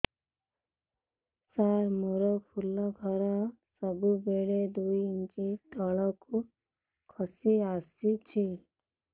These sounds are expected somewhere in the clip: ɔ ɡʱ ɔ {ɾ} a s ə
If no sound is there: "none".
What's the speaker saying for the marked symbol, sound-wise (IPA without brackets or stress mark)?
ɾ